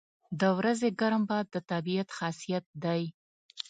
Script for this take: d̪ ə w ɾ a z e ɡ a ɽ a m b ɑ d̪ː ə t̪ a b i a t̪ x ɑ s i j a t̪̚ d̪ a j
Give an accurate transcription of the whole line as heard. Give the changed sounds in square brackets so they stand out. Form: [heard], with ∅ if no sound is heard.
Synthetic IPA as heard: d̪ ə w ɾ a z e ɡ a [ɾ] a m b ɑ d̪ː ə t̪ a b i a t̪ x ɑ s i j a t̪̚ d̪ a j